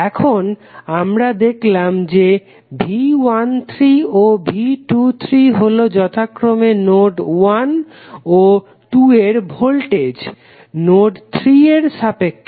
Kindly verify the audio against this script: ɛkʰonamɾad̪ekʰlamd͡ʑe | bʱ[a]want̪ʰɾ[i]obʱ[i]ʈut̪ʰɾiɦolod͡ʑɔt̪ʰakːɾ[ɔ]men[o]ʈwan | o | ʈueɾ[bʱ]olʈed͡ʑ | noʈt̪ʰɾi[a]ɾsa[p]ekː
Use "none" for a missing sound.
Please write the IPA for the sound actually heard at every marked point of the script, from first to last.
i, i, i, o, o, bʱ, e, p

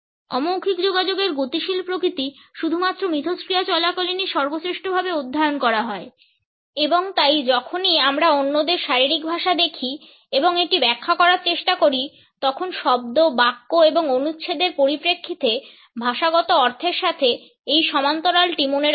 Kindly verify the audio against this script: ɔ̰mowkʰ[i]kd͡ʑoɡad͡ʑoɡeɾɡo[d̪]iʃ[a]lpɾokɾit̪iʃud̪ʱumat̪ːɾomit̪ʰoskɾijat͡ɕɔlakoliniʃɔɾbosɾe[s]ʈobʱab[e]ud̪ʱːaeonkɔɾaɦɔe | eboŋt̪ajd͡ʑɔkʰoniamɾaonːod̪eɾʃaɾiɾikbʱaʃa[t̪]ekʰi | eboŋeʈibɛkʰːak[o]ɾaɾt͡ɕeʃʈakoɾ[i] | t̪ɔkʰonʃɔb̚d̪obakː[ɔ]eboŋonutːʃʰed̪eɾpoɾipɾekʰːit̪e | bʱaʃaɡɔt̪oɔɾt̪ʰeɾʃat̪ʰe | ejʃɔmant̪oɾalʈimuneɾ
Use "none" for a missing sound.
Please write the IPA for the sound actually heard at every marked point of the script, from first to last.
i, t̪, i, ʃ, e, d̪, ɔ, i, o

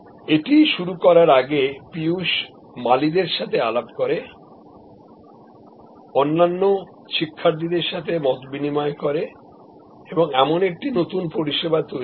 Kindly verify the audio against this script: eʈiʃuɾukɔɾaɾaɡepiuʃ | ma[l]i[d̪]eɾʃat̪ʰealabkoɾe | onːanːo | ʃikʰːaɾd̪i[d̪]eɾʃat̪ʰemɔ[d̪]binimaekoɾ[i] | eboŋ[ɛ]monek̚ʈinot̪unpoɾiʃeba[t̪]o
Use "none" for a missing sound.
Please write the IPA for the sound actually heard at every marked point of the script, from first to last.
l, d̪, d̪, t̪, e, ɛ, t̪

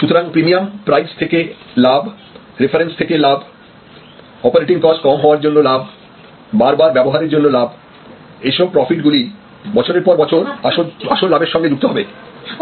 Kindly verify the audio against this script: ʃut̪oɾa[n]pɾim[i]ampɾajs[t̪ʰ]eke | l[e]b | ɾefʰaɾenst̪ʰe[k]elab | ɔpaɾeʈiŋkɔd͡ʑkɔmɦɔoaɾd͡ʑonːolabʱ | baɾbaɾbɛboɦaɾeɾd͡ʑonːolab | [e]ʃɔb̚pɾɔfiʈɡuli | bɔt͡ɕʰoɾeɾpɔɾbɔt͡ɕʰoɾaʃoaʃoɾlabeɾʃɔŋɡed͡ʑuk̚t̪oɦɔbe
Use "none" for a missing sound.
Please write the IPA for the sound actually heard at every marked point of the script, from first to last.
ŋ, i, t̪ʰ, a, k, e

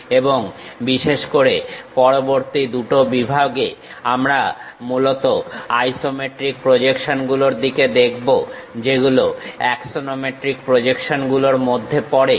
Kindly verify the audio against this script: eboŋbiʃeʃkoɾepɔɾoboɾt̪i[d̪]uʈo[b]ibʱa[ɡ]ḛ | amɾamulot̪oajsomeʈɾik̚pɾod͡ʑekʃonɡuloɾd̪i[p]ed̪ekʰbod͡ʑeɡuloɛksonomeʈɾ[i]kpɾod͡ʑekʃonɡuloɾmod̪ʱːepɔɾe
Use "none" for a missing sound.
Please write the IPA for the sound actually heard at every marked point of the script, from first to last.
d̪, b, ɡ, k, i

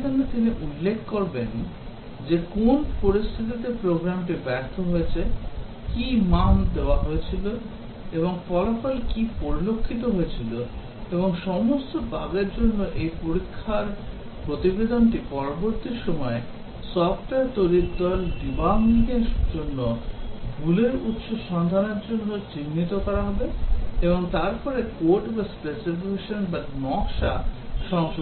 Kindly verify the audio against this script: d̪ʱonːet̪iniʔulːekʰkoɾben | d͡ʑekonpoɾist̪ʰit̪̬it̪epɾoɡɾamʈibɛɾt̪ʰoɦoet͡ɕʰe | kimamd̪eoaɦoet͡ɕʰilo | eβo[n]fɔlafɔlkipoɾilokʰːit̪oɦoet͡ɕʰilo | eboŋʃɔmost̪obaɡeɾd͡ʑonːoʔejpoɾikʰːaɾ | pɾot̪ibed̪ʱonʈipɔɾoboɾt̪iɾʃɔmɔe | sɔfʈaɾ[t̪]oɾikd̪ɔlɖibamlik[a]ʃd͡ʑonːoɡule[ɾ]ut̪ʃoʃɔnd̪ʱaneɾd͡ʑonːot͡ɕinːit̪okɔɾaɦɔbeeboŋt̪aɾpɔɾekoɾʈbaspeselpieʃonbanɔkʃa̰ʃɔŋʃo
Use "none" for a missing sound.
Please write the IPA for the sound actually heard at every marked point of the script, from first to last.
ŋ, t̪, e, ɾ

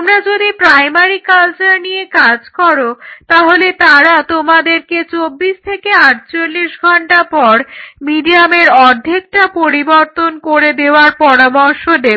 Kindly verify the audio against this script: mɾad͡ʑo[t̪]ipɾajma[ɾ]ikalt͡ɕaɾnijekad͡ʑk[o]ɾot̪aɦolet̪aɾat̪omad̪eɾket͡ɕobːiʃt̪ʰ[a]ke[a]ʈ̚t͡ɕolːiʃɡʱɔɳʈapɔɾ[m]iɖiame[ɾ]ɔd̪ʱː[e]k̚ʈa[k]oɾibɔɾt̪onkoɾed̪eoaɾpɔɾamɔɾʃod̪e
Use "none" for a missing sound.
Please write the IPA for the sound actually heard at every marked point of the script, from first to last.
d̪, ɾ, ɔ, e, a, m, ɾ, e, p

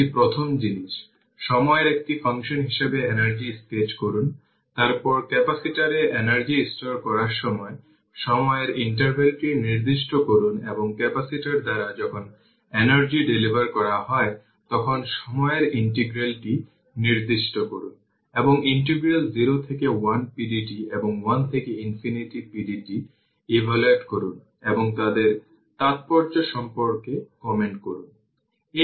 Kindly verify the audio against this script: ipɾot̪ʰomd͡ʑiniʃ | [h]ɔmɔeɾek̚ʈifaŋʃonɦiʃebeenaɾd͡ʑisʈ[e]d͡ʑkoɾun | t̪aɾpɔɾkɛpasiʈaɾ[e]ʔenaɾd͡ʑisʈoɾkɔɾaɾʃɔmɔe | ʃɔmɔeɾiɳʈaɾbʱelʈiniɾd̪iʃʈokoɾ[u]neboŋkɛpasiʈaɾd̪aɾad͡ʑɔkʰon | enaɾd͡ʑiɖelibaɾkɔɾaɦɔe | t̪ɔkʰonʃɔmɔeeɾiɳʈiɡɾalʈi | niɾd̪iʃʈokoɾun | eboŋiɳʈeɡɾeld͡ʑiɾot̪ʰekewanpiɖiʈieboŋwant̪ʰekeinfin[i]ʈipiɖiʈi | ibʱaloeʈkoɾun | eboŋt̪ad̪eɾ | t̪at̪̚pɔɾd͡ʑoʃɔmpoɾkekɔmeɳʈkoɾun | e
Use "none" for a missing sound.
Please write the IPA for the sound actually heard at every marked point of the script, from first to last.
ʃ, e, e, u, i

